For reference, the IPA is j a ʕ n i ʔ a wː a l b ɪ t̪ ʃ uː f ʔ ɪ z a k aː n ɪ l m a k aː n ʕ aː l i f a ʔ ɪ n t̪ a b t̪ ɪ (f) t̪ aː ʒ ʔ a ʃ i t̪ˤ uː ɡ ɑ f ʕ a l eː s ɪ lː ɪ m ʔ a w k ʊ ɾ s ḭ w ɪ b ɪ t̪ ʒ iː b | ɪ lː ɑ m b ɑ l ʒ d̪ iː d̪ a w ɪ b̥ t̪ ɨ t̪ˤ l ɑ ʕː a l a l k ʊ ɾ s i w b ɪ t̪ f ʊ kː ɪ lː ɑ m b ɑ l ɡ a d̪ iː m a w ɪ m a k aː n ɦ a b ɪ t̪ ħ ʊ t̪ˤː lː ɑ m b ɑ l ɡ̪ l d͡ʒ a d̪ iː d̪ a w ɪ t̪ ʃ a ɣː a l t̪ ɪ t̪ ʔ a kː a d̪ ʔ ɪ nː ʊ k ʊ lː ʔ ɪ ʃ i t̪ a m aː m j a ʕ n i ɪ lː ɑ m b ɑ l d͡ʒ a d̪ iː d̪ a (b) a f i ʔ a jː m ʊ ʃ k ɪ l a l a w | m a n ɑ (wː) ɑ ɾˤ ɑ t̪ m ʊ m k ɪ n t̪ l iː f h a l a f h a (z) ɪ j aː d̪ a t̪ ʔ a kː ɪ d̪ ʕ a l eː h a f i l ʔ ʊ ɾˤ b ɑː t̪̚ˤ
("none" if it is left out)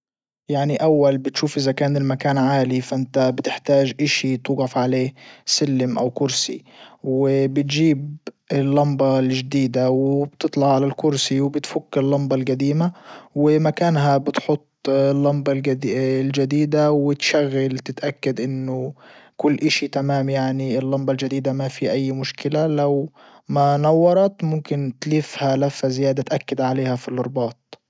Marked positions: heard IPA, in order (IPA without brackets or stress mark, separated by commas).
ħ, m, wː, z